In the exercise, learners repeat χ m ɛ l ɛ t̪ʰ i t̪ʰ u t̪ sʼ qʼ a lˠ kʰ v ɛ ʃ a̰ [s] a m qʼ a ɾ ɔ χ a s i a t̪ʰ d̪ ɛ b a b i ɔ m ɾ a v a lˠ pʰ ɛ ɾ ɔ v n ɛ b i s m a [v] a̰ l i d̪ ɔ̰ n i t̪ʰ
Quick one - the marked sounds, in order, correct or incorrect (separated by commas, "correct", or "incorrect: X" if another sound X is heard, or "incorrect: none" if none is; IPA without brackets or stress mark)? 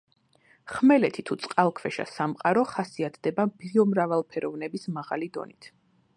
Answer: correct, incorrect: ʁ